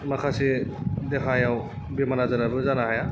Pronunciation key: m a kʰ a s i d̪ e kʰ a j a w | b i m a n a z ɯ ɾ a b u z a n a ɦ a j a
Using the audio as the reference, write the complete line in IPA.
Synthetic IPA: m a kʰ a s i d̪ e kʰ a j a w | b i m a n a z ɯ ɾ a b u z a n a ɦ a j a